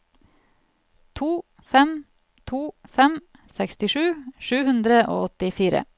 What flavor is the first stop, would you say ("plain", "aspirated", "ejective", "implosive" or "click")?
aspirated